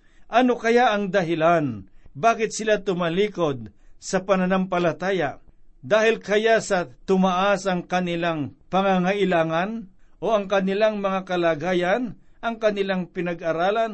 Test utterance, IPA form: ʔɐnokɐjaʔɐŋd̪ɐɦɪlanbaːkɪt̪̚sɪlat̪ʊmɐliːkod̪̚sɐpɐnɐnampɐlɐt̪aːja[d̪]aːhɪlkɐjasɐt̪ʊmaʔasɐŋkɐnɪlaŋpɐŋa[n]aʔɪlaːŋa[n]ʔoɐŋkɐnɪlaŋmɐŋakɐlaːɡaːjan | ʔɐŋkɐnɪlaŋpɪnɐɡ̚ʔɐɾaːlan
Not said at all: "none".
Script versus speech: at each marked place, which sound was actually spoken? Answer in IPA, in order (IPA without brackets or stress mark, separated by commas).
d̪, ŋ, n